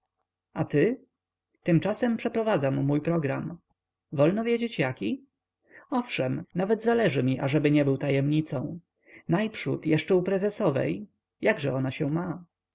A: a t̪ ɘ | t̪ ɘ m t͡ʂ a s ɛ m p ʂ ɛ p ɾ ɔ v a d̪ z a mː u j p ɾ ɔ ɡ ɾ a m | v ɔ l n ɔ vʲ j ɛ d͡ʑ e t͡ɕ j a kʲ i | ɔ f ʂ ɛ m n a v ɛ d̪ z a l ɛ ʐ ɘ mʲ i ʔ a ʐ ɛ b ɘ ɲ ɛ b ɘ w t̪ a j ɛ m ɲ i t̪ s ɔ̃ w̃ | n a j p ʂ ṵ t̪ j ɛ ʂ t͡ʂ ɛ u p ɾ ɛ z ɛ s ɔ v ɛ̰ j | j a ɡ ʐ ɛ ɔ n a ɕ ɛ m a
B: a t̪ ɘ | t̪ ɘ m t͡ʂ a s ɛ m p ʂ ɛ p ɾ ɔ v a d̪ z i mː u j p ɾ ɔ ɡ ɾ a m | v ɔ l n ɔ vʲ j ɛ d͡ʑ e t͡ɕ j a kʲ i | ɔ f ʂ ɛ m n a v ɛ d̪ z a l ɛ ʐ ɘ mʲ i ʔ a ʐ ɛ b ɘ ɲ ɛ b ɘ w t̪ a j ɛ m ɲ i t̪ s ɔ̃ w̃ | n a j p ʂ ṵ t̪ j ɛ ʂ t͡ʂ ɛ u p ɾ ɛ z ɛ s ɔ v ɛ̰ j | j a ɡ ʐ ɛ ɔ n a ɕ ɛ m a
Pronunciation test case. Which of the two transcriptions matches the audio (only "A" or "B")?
A